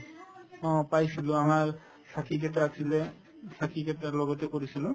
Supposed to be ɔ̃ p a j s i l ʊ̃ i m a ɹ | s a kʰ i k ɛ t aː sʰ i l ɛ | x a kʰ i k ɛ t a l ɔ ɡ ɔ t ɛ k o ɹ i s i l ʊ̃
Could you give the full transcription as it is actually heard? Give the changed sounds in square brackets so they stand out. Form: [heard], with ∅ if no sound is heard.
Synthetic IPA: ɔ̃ p a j s i l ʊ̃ [a] m a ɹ | s a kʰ i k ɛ t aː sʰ i l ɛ | [s] a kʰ i k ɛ t a l ɔ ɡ ɔ t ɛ k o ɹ i s i l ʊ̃